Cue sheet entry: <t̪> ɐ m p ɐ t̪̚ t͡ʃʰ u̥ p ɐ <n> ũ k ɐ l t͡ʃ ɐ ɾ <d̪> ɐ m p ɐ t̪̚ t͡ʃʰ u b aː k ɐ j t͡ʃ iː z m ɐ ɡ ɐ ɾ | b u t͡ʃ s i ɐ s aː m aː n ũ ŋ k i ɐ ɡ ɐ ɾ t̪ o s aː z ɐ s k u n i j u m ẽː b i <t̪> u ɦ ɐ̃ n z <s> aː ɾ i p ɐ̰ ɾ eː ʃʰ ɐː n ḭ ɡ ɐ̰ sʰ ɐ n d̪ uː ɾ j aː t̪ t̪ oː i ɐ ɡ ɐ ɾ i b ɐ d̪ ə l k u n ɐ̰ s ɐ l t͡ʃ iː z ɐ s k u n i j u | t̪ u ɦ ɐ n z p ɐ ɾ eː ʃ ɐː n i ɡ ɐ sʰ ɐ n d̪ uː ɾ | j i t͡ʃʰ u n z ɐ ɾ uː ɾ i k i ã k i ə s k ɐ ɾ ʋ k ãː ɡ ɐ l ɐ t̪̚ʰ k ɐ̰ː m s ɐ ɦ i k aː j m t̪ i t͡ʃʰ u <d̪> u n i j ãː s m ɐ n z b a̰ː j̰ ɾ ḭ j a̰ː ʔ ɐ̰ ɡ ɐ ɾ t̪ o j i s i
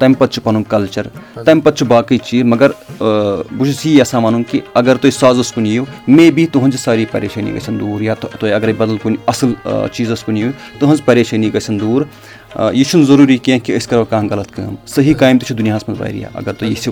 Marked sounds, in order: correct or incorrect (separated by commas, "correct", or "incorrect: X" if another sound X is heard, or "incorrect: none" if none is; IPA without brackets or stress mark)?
correct, correct, incorrect: t̪, correct, correct, correct